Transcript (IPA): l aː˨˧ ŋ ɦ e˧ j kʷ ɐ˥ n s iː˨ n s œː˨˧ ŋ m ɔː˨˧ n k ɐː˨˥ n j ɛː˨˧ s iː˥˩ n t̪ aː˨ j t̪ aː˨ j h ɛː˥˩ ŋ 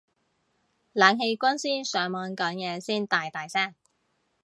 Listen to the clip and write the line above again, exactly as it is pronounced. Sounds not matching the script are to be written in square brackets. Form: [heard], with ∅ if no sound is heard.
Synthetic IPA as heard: l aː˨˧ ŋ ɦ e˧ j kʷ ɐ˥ n s [iː˥] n s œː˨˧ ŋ m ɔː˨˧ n k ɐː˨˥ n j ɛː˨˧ s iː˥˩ n t̪ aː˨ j t̪ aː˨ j [s] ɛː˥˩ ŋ